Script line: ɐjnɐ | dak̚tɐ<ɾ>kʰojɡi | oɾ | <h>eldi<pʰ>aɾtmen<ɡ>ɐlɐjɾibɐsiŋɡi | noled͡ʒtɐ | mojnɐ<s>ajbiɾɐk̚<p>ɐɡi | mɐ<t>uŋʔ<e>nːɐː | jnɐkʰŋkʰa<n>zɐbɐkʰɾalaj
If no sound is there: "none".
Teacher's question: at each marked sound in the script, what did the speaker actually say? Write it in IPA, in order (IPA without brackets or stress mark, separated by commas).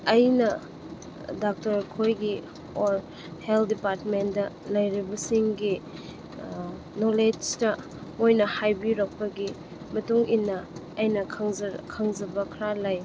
ɾ, h, p, d, h, p, t, i, ŋ